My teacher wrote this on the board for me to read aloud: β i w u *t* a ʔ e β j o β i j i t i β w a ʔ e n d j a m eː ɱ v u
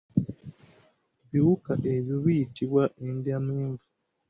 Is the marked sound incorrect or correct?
incorrect